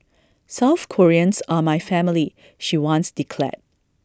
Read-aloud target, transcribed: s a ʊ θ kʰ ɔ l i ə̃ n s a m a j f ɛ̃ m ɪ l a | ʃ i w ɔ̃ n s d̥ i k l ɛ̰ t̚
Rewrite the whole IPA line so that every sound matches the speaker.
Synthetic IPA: s a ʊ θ kʰ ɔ ɹ i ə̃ n s a m a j f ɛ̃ m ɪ l i | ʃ i w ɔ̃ n s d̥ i kʰ l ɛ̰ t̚